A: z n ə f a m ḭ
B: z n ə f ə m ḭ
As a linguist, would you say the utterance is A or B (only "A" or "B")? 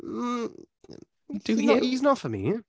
B